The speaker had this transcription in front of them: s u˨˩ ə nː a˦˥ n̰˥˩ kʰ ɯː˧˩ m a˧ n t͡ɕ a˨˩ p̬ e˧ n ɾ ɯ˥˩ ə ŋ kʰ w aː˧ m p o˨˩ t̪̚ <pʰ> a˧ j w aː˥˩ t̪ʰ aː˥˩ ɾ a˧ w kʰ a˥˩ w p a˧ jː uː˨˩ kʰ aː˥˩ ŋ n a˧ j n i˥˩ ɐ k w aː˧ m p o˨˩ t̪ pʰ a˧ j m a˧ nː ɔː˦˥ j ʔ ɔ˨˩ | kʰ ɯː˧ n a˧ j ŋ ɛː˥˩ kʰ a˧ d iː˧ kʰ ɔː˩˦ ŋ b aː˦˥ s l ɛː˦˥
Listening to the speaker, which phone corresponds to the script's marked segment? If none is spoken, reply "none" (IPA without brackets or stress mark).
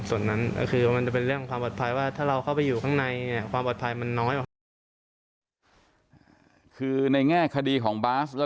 pʰ